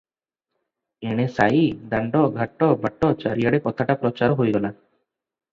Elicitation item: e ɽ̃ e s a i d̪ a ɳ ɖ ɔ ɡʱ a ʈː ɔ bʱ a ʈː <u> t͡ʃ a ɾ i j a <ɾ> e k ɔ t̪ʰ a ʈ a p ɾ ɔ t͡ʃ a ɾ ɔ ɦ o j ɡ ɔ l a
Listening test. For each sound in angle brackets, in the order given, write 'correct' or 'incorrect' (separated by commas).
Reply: incorrect, incorrect